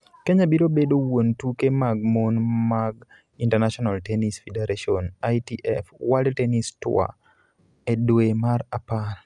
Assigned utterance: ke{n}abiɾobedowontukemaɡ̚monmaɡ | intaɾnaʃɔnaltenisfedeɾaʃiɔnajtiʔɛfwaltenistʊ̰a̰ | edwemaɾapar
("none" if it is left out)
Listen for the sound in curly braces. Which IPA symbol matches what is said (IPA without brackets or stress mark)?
ɲ